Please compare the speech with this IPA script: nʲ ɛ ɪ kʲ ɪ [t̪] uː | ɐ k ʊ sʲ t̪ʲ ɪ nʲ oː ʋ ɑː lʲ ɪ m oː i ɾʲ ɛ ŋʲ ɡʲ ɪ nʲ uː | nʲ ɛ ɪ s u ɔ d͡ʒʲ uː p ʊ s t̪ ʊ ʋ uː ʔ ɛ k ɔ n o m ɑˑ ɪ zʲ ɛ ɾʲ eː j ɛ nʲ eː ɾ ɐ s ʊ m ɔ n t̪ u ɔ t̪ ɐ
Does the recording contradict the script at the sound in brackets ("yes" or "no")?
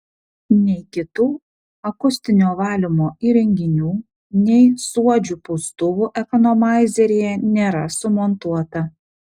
no